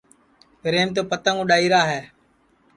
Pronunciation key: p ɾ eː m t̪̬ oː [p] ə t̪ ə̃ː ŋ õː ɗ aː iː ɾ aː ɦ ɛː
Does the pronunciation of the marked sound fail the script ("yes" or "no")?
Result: no